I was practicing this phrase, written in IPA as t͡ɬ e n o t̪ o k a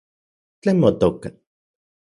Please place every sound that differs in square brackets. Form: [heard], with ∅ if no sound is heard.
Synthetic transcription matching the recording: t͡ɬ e [m] o t̪ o k a

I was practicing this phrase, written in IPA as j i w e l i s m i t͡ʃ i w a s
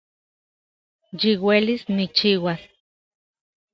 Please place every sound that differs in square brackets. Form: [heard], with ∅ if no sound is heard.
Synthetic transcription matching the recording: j i w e l i s [n] i t͡ʃ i w a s

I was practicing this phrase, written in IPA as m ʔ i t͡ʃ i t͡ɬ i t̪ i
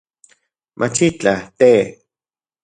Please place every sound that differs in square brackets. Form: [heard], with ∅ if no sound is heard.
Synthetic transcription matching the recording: m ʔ [a] t͡ʃ i t͡ɬ [a] t̪ [e]

